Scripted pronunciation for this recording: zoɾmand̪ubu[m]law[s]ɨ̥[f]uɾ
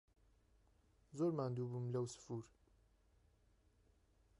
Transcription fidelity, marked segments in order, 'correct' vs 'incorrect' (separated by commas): correct, correct, correct